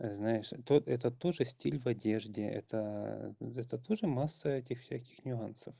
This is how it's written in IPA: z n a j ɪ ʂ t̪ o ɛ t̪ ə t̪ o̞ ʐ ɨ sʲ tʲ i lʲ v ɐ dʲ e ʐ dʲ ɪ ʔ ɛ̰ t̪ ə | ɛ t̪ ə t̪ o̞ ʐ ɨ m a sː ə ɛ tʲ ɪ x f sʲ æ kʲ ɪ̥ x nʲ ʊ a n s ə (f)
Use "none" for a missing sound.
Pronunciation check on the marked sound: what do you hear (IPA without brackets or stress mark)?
f